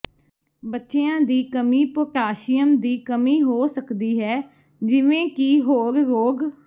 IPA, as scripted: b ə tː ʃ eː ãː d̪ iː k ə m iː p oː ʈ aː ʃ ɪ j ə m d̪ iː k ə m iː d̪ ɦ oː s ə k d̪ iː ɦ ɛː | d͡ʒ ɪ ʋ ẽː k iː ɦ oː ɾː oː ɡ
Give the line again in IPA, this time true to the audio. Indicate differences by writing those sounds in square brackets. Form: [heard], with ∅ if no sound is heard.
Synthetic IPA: b ə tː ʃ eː ãː d̪ iː k ə m iː p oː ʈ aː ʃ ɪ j ə m d̪ iː k ə m iː [∅] ɦ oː s ə k d̪ iː ɦ ɛː | d͡ʒ ɪ ʋ ẽː k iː ɦ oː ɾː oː ɡ